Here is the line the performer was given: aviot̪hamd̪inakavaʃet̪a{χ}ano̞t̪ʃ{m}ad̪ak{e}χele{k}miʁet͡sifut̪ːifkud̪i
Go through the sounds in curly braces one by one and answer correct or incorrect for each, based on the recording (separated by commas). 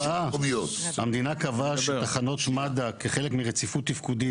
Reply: correct, correct, correct, correct